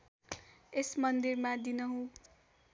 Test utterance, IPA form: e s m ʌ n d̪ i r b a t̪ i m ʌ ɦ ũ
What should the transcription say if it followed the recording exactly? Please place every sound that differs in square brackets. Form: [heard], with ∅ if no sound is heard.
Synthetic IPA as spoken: e s m ʌ n d̪ i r [m] a [d̪] i [n] ʌ ɦ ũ

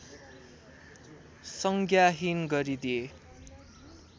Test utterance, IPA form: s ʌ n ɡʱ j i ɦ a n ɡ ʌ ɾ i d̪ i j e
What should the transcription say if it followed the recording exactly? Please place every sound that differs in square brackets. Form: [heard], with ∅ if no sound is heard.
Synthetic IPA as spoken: s ʌ [ŋ] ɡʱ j [a] ɦ [i] n ɡ ʌ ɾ i d̪ i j e

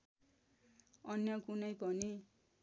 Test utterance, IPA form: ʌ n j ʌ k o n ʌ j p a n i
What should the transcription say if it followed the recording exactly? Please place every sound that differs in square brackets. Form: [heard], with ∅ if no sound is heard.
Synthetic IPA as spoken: ʌ n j ʌ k [u] n ʌ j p [ʌ] n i

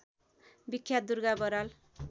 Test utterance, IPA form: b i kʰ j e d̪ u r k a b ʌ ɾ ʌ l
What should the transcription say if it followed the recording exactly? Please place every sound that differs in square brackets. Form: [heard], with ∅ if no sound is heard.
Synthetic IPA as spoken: b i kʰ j [a] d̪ u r [ɡ] a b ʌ ɾ [a] l

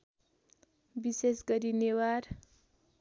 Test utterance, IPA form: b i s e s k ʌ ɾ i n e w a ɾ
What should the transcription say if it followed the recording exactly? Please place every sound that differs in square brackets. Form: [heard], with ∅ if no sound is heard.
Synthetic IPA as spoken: b i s e s [ɡ] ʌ ɾ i n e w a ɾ

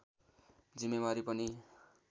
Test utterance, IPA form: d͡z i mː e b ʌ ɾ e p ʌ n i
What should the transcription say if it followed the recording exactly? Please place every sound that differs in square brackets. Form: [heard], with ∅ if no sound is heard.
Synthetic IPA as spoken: d͡z i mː e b [a] ɾ [i] p ʌ n i

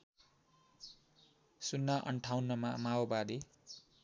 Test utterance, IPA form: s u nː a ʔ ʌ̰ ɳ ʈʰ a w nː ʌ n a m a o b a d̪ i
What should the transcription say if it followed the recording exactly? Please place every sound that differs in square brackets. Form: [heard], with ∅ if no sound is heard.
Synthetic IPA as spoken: s u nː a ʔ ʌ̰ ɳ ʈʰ a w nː ʌ [m] a m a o b a d̪ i

